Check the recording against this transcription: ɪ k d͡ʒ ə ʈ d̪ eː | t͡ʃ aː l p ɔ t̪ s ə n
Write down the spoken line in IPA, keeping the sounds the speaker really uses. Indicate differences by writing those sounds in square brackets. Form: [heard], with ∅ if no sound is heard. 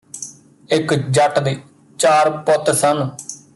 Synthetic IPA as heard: ɪ k d͡ʒ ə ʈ d̪ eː | t͡ʃ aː [ɾ] p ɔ t̪ s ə n